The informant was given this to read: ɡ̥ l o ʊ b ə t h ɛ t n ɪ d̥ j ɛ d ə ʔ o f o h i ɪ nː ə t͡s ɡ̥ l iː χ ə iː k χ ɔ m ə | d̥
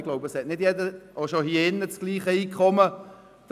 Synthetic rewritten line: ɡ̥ l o ʊ b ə s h ɛ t n ɪ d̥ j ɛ d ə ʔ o ʃ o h i ɪ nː ə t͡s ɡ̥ l iː χ ə iː k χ ɔ m ə | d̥